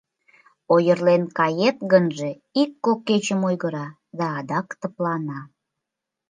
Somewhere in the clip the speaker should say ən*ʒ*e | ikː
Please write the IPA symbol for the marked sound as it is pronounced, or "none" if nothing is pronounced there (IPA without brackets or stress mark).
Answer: ʒ